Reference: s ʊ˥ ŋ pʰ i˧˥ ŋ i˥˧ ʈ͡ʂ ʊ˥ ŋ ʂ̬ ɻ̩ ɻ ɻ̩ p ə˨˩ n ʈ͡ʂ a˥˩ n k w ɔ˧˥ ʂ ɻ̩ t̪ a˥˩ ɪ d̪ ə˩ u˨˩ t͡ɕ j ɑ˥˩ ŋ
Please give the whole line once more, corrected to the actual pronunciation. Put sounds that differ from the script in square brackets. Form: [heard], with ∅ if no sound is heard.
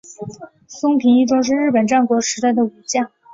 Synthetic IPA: s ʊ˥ ŋ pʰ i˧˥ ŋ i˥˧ ʈ͡ʂ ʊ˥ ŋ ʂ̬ ɻ̩ ɻ ɻ̩ p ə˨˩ n ʈ͡ʂ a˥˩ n k w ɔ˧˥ ʂ ɻ̩ t̪ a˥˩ ɪ d̪ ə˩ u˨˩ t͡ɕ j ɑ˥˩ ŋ